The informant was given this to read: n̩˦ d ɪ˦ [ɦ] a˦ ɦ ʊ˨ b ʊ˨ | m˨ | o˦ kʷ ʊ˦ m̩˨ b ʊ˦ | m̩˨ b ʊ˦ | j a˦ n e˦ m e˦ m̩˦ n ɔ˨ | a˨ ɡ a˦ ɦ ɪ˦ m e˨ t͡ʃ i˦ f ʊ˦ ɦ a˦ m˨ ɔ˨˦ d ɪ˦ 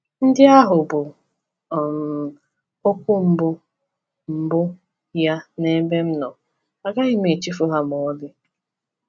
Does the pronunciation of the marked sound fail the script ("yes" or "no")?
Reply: yes